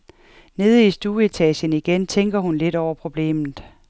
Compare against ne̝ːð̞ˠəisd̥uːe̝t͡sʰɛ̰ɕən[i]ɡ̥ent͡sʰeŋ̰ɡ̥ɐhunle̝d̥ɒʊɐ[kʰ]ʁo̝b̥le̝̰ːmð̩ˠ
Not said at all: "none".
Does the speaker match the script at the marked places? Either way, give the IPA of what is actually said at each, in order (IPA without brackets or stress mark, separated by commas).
i, pʰ